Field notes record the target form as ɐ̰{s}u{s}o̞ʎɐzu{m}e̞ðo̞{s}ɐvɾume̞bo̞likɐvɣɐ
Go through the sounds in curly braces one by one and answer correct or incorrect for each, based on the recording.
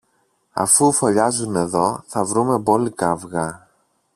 incorrect, incorrect, incorrect, incorrect

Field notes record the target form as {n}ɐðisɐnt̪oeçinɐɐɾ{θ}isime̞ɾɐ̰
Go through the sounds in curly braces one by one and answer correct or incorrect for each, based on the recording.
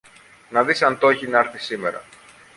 correct, correct

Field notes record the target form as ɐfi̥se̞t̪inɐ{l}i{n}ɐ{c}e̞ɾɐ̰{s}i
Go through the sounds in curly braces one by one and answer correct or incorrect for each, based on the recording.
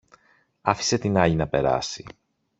incorrect, correct, incorrect, correct

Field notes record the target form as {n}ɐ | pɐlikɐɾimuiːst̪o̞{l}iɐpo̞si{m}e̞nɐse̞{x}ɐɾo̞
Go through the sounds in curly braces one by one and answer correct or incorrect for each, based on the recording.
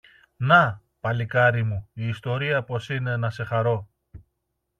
correct, incorrect, incorrect, correct

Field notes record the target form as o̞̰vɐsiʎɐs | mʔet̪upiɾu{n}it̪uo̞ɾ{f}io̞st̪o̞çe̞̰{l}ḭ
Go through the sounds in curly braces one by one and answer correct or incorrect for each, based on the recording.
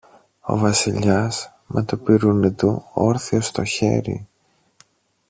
correct, incorrect, incorrect

